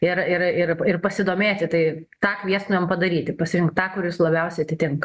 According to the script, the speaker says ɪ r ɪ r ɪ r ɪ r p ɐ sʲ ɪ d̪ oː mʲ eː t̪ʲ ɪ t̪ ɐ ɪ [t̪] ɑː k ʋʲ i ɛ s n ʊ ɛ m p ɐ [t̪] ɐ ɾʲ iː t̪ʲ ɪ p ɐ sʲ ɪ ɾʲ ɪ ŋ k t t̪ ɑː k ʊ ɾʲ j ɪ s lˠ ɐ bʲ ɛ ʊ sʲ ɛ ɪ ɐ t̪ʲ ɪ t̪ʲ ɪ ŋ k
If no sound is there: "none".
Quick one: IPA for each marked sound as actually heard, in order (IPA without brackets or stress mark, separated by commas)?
t̪, d̪